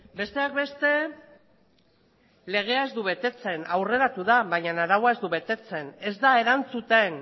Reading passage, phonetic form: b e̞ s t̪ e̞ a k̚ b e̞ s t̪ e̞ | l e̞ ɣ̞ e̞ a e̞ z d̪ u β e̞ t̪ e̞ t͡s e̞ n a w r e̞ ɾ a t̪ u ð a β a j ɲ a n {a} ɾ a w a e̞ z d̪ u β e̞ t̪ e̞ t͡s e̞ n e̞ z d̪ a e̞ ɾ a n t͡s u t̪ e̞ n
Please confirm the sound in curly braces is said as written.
yes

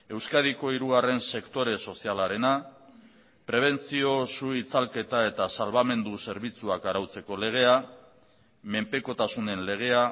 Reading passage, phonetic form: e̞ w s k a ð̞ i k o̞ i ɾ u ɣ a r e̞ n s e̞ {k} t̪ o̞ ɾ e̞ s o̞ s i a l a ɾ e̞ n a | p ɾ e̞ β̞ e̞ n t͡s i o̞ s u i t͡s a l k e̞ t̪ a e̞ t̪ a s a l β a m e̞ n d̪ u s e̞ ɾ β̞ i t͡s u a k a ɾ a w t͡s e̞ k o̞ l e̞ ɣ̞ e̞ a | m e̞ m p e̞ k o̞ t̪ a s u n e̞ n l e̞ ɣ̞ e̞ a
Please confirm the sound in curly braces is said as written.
yes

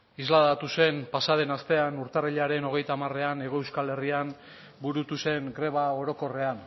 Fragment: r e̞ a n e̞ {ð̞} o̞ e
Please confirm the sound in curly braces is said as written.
no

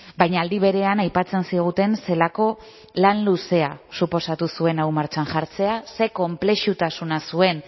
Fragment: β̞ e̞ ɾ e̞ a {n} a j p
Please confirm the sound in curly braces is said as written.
yes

